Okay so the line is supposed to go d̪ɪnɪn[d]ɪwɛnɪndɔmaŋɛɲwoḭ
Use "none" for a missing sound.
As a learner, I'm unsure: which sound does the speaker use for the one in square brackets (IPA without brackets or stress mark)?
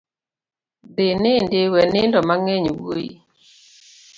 d